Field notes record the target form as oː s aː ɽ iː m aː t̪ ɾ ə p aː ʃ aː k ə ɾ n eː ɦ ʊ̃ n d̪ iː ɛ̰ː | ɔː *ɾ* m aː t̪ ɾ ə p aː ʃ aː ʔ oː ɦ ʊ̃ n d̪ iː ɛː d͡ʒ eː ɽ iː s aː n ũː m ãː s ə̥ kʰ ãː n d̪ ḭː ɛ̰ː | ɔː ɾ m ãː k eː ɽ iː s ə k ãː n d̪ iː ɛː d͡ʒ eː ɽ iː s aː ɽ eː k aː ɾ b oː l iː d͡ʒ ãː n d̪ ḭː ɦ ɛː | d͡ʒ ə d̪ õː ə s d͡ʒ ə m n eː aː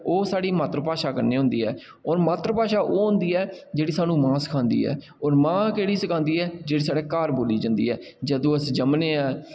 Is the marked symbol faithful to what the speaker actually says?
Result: yes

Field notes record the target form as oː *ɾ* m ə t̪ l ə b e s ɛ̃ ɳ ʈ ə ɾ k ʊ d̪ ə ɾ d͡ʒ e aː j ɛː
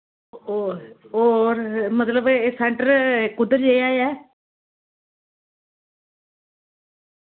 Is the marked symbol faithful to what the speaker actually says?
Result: yes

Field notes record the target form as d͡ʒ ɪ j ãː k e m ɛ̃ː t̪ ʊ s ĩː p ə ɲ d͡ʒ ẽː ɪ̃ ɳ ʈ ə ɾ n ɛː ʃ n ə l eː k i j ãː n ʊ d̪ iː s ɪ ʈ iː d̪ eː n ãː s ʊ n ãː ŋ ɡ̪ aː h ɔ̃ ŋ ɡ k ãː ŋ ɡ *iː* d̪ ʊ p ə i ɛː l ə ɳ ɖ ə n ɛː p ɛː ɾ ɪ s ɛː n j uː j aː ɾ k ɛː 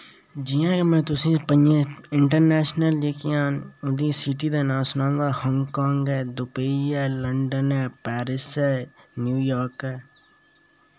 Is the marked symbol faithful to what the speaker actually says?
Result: no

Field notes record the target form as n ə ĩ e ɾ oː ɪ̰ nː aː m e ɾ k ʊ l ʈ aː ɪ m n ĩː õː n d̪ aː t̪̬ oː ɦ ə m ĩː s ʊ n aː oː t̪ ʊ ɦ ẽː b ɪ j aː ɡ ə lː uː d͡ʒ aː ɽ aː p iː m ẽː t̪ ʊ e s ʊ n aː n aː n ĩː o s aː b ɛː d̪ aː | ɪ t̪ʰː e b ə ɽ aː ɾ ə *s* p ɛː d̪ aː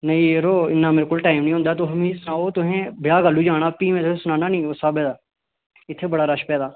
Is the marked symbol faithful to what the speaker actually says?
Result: no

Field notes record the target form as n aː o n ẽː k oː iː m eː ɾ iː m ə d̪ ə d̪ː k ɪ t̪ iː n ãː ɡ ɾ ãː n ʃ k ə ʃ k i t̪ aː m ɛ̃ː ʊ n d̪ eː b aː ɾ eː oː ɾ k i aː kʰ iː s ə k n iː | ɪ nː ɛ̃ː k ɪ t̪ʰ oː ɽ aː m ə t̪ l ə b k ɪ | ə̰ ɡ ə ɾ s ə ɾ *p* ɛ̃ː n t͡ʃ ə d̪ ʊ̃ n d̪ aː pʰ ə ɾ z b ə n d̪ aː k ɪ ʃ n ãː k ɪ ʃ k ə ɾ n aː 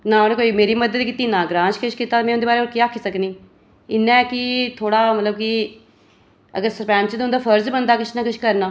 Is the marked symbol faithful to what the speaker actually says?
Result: yes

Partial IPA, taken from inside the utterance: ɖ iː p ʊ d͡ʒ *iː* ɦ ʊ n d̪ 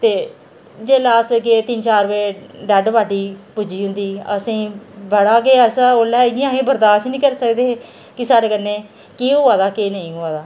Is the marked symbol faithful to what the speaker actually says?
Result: yes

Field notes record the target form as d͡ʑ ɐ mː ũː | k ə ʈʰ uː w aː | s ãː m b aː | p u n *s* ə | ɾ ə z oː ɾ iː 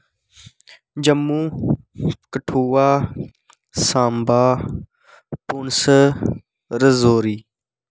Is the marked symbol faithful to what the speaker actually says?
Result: yes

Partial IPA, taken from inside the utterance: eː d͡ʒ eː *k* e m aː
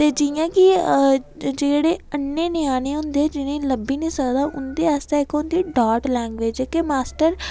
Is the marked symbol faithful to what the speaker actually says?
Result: yes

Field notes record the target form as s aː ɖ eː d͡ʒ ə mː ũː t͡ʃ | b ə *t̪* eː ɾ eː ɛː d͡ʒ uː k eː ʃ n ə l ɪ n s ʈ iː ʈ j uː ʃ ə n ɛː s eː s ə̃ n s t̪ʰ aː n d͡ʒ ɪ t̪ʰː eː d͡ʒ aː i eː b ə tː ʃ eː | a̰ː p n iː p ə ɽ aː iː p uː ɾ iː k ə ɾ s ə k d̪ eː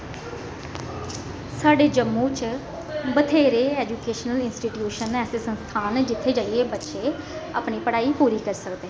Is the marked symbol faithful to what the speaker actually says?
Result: no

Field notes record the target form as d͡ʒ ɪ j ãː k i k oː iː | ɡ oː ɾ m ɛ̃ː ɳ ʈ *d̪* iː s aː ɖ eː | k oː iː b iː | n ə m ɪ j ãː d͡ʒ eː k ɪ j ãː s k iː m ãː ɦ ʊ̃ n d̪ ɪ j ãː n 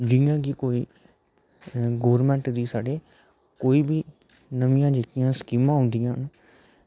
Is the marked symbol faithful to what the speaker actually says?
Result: yes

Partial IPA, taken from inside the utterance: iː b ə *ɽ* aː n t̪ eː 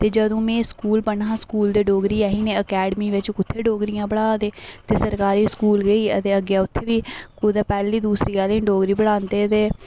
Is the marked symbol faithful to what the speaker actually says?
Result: yes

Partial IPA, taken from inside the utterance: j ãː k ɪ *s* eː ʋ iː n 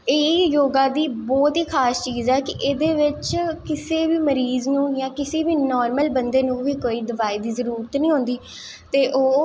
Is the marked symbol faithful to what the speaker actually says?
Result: yes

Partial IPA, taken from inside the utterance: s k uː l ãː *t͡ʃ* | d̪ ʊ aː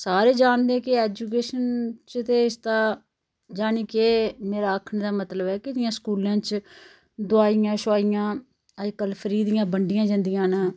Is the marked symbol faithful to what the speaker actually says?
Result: yes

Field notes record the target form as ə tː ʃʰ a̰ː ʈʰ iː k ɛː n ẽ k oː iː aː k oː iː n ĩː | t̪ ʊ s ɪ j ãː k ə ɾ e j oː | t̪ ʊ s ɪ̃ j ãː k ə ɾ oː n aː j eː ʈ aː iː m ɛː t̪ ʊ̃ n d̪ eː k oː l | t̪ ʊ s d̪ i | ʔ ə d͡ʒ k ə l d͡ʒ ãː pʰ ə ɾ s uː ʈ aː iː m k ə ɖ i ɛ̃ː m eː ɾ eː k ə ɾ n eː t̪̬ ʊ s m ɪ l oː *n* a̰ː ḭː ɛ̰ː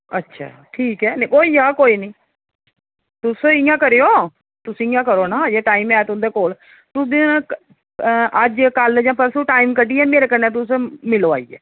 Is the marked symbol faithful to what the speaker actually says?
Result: no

